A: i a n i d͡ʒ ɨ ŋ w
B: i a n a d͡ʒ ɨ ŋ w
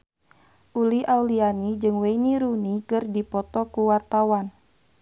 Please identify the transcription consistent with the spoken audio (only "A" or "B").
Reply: A